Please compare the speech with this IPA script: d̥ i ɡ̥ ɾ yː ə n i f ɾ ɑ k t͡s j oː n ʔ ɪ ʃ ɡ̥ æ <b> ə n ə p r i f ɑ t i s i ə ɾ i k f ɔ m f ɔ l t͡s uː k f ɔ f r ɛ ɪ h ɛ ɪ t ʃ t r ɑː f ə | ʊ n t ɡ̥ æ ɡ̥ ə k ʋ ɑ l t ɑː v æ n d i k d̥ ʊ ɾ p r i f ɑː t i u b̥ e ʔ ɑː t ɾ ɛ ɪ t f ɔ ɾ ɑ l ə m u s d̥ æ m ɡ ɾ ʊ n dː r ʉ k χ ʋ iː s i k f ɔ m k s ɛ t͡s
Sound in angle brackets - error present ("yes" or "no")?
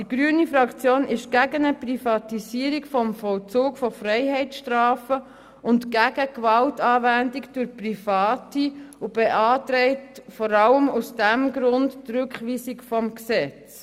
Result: yes